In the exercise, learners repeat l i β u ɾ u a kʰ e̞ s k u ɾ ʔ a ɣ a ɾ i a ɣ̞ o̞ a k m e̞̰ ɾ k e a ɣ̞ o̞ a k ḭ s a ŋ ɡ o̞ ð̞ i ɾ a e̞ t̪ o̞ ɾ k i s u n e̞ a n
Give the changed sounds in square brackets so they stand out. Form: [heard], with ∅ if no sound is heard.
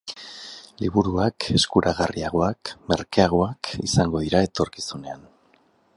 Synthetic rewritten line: l i β u ɾ u a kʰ e̞ s k u ɾ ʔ a ɣ a [r] i a ɣ̞ o̞ a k m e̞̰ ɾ k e a ɣ̞ o̞ a k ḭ s a ŋ ɡ o̞ ð̞ i ɾ a e̞ t̪ o̞ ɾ k i s u n e̞ a n